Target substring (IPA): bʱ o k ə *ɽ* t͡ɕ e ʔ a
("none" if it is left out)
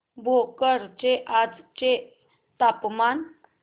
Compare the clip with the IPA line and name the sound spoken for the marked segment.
ɾ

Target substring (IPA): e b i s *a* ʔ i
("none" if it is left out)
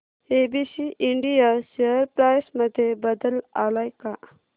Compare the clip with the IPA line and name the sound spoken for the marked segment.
i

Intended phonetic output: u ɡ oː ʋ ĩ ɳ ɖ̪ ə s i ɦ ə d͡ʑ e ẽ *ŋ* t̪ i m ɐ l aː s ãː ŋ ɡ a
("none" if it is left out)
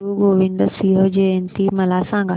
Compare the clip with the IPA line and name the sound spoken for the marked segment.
n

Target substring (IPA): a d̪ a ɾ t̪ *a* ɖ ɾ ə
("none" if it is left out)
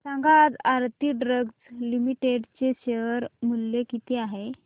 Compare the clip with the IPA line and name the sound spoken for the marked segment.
i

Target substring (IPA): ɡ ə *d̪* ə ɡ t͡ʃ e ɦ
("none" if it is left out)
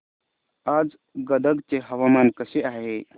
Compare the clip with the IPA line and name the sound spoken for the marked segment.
d̪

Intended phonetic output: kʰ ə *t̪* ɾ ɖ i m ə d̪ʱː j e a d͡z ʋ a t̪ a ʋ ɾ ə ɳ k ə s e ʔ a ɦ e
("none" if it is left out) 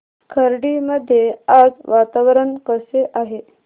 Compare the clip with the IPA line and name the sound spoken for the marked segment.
none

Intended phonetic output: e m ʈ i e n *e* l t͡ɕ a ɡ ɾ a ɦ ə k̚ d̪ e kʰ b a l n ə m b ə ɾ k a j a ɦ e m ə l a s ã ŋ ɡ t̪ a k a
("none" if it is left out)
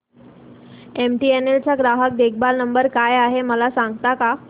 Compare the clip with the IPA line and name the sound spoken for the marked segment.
e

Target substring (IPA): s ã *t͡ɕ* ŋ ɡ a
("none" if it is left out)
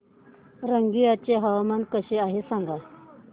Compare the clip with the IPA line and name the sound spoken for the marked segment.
none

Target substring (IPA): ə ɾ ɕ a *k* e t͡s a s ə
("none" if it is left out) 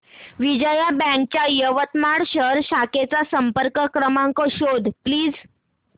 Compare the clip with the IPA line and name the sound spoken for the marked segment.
k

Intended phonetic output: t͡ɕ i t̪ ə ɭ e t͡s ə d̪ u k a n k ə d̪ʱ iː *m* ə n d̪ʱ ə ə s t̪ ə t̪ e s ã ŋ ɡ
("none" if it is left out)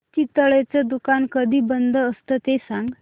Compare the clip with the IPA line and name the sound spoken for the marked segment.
b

